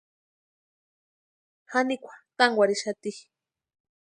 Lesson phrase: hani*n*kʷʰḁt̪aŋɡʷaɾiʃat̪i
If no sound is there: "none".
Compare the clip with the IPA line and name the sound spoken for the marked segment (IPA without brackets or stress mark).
none